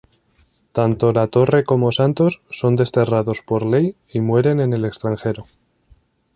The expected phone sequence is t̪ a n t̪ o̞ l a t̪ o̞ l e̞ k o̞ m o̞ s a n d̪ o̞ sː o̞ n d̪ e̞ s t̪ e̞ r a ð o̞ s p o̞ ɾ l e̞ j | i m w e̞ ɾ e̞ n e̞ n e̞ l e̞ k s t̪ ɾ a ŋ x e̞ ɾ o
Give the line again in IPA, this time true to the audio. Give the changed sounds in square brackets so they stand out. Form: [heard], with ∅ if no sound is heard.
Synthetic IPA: t̪ a n t̪ o̞ l a t̪ o̞ [r] e̞ k o̞ m o̞ s a n [t̪] o̞ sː o̞ n d̪ e̞ s t̪ e̞ r a ð o̞ s p o̞ ɾ l e̞ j | i m w e̞ ɾ e̞ n e̞ n e̞ l e̞ k s t̪ ɾ a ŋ x e̞ ɾ o